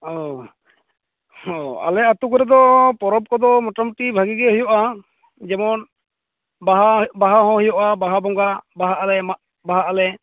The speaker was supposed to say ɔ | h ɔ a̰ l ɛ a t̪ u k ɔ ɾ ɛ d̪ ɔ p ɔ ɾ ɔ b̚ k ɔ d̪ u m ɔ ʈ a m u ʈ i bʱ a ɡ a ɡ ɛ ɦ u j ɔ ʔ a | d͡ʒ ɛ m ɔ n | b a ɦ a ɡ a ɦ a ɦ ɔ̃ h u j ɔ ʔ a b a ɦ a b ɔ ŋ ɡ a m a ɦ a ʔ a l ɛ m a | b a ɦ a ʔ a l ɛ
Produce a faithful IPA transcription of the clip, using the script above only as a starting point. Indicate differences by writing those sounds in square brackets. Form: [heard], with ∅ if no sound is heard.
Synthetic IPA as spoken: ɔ | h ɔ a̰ l ɛ a t̪ u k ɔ ɾ ɛ d̪ ɔ p ɔ ɾ ɔ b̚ k ɔ d̪ [ɔ] m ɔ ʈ a m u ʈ i bʱ a ɡ [i] ɡ ɛ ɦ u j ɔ ʔ a | d͡ʒ ɛ m ɔ n | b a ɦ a [b] a ɦ a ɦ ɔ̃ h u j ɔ ʔ a b a ɦ a b ɔ ŋ ɡ a [b] a ɦ a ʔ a l ɛ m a | b a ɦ a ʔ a l ɛ

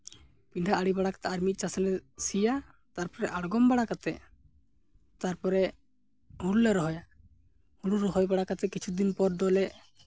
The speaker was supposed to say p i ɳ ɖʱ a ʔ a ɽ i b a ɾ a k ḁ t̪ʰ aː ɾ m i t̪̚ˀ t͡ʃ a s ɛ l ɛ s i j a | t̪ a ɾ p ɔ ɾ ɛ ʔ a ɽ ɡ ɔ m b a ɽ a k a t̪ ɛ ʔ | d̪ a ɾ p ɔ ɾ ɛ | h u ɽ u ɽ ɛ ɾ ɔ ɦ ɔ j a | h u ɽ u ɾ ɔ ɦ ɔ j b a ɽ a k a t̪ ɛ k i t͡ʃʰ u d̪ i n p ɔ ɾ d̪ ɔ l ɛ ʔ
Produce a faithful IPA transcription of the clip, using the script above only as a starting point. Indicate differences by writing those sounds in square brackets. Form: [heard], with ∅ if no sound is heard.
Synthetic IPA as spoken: p i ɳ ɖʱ a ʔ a ɽ i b a [ɽ] a k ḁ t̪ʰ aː ɾ m i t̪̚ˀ t͡ʃ a s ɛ l ɛ s i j a | t̪ a ɾ p ɔ ɾ ɛ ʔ a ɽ ɡ ɔ m b a ɽ a k a t̪ ɛ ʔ | [t̪] a ɾ p ɔ ɾ ɛ | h u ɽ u [l] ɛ ɾ ɔ ɦ ɔ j a | h u ɽ u ɾ ɔ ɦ ɔ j b a ɽ a k a t̪ ɛ k i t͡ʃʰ u d̪ i n p ɔ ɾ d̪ ɔ l ɛ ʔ

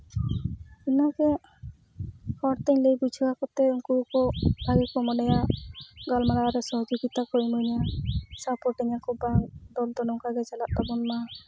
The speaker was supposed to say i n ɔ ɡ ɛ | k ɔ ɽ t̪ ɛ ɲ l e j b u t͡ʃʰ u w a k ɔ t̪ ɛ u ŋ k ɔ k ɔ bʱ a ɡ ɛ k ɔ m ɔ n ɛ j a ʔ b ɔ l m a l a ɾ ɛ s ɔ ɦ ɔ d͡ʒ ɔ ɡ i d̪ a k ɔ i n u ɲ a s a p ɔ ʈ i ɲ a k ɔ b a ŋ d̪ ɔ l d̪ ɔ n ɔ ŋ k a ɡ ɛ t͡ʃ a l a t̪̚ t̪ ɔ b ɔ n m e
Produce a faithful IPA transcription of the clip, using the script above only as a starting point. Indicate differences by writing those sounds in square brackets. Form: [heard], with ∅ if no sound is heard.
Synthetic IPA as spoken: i n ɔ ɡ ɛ | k ɔ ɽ t̪ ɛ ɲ l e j b u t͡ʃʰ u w a k ɔ t̪ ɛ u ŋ k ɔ k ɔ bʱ a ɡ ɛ k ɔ m ɔ n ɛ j a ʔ [ɡ] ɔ l m a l a ɾ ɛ s ɔ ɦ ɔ d͡ʒ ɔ ɡ i [t̪] a k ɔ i [m] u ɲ a s a p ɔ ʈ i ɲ a k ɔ b a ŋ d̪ ɔ l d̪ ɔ n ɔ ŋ k a ɡ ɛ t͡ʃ a l a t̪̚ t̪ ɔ b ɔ n m [a]

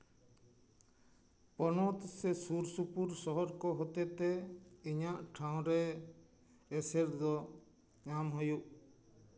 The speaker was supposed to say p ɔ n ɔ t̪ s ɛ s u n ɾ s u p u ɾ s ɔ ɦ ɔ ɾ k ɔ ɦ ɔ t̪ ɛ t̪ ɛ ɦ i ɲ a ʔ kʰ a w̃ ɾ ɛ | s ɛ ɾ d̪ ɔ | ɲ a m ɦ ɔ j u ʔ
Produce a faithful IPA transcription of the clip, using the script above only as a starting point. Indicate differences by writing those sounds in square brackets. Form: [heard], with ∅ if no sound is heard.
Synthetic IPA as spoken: p ɔ n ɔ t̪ s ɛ s u [∅] ɾ s u p u ɾ s ɔ ɦ ɔ ɾ k ɔ ɦ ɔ t̪ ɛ t̪ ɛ [∅] i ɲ a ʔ [ʈʰ] a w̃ ɾ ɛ | s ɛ ɾ d̪ ɔ | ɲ a m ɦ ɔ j u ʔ

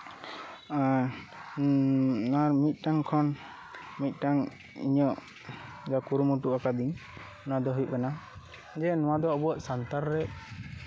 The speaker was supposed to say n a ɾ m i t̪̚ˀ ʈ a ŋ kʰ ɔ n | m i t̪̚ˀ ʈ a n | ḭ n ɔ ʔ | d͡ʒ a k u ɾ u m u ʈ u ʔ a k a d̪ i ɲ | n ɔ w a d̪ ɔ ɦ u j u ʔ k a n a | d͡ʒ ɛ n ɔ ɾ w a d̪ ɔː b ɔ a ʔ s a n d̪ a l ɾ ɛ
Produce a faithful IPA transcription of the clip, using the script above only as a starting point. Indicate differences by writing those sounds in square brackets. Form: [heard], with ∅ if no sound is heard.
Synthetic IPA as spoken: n a ɾ m i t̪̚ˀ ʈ a ŋ kʰ ɔ n | m i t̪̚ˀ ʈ a [ŋ] | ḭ [ɲ] ɔ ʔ | d͡ʒ a k u ɾ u m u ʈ u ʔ a k a d̪ i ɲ | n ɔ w a d̪ ɔ ɦ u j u ʔ k a n a | d͡ʒ ɛ n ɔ [∅] w a d̪ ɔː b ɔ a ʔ s a n [t̪] a [ɾ] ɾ ɛ

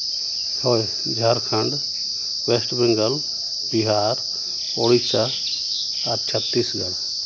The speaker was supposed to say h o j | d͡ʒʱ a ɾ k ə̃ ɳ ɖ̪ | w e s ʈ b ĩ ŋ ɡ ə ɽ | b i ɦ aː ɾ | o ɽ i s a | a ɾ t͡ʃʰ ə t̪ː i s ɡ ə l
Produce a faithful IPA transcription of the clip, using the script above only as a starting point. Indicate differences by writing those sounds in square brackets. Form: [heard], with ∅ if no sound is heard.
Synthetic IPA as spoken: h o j | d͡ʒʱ a ɾ [kʰ] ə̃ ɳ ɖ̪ | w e s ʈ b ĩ ŋ ɡ ə [l] | b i ɦ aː ɾ | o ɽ i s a | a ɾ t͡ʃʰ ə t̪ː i s ɡ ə l

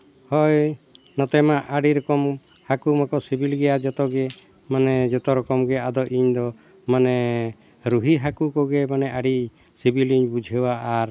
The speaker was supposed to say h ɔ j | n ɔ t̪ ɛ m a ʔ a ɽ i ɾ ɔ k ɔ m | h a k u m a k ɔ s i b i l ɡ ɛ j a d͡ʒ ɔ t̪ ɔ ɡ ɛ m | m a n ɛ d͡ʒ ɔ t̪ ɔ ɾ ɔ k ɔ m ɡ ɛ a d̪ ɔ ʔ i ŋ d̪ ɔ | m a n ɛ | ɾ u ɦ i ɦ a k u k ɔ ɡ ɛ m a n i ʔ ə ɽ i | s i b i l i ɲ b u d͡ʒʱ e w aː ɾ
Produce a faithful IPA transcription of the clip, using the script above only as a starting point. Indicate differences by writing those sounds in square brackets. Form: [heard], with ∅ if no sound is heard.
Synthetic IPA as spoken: h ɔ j | n ɔ t̪ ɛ m a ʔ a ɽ i ɾ ɔ k ɔ m | h a k u m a k ɔ s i b i l ɡ ɛ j a d͡ʒ ɔ t̪ ɔ ɡ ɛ [∅] | m a n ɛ d͡ʒ ɔ t̪ ɔ ɾ ɔ k ɔ m ɡ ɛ a d̪ ɔ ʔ i [ɲ] d̪ ɔ | m a n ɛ | ɾ u ɦ i ɦ a k u k ɔ ɡ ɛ m a n [ɛ] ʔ [a] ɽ i | s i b i l i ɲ b u d͡ʒʱ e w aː ɾ

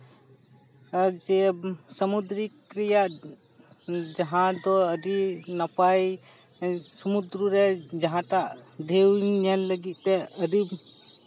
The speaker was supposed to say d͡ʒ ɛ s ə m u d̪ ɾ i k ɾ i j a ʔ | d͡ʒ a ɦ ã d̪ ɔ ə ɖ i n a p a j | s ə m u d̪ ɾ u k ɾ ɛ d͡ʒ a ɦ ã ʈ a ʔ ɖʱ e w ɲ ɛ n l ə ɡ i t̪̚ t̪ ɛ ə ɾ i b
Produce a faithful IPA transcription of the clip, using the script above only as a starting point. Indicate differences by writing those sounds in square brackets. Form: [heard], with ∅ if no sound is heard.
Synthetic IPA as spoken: d͡ʒ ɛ s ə m u d̪ ɾ i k ɾ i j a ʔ | d͡ʒ a ɦ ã d̪ ɔ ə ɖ i n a p a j | s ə m u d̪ ɾ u [∅] ɾ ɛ d͡ʒ a ɦ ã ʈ a ʔ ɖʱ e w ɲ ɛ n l ə ɡ i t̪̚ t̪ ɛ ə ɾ i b

